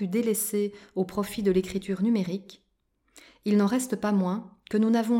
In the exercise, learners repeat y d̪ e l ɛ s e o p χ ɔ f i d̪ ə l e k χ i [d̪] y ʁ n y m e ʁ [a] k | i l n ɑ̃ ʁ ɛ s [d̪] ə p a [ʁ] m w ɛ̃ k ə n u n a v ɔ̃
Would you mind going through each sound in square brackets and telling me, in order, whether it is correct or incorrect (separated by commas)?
incorrect, incorrect, incorrect, incorrect